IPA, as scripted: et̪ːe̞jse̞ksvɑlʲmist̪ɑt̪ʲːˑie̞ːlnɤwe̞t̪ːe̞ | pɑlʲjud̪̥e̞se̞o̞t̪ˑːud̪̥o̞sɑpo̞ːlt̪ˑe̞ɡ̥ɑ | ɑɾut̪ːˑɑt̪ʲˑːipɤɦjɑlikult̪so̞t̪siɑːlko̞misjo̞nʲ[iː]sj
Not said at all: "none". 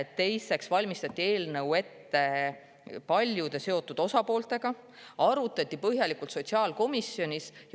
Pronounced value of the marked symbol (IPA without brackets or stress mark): i